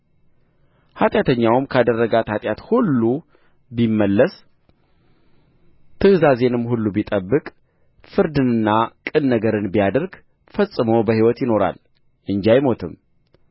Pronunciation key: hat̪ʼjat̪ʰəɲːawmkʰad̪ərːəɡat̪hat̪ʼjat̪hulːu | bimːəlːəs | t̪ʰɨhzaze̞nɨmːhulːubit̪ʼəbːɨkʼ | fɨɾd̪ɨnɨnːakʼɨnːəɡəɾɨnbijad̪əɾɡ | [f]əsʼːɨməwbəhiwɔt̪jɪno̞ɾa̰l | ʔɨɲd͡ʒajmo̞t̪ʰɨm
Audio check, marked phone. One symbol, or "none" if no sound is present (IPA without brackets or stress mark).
f